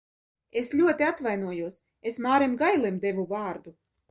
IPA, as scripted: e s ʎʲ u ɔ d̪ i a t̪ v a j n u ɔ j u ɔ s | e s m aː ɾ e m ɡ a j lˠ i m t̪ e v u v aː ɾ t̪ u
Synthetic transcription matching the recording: e s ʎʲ u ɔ t̪ i a t̪ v a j n u ɔ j u ɔ s | e s m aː ɾ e m ɡ a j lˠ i m d̪ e v u v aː ɾ d̪ u

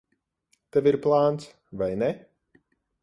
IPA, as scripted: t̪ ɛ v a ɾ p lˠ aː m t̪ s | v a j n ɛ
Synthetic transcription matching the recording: t̪ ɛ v i ɾ p lˠ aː n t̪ s | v a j n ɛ

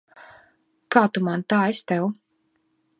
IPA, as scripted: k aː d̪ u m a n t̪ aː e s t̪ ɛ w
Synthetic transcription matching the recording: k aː t̪ u m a n t̪ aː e s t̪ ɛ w

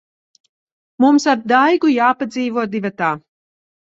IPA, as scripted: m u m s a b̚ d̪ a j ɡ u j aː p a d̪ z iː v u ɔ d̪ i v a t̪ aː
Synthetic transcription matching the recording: m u m s a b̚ d̪ a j ɡ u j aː p a d̪ z iː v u ɔ d̪ i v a t̪ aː

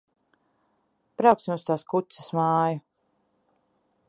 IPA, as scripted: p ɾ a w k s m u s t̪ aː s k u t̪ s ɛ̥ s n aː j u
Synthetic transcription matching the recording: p ɾ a w k s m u s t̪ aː s k u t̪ s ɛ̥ s m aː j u

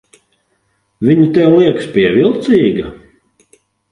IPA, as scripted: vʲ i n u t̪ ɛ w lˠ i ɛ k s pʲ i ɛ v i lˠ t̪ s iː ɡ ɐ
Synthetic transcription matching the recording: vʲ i ɲ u t̪ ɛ w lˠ i ɛ k s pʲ i ɛ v i lˠ t̪ s iː ɡ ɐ

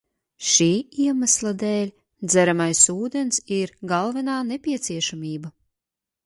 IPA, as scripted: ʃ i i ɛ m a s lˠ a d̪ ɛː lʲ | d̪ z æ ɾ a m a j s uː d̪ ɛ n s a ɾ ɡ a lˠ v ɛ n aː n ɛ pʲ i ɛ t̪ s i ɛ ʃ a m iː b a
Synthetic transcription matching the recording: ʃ iː i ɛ m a s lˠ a d̪ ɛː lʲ | d̪ z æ ɾ a m a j s uː d̪ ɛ n s i ɾ ɡ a lˠ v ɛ n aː n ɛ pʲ i ɛ t̪ s i ɛ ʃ a m iː b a

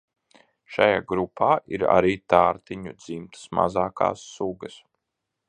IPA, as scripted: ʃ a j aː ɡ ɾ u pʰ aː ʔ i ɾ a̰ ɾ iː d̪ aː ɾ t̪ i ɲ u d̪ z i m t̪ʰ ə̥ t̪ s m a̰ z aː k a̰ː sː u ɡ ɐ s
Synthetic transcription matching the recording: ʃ a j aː ɡ ɾ u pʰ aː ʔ i ɾ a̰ ɾ iː t̪ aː ɾ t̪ i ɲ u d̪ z i m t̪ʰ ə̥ s m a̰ z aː k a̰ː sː u ɡ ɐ s

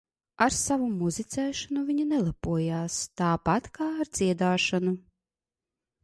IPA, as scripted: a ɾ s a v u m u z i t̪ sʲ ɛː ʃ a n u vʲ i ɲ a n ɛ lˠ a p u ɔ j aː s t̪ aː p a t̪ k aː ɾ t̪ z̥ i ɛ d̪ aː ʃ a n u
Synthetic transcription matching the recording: a ɾ s a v u m u z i t̪ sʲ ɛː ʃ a n u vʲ i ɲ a n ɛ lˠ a p u ɔ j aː s t̪ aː p a t̪ k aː ɾ d̪ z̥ i ɛ d̪ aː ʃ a n u

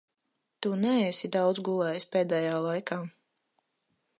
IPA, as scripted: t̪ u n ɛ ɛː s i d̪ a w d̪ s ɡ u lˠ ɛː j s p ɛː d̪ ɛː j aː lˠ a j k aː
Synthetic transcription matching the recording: t̪ u n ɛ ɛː s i d̪ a w d̪ z ɡ u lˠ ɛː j s p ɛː d̪ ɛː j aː lˠ a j k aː

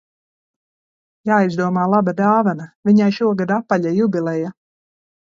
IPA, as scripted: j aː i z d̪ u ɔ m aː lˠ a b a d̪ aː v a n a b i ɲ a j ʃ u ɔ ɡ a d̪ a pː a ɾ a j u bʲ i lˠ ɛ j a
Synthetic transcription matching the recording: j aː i z d̪ u ɔ m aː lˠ a b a d̪ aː v a n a v i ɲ a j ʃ u ɔ ɡ a d̪ a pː a ʎ a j u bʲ i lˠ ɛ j a

